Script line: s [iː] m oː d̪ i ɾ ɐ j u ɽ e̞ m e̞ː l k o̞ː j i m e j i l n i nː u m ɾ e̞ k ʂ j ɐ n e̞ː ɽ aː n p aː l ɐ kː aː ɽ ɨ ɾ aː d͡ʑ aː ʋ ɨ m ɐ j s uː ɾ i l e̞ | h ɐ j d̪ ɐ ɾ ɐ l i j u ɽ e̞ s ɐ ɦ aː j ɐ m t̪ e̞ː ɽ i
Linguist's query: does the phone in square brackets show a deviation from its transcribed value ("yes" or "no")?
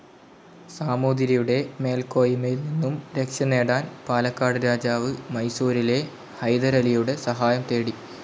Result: yes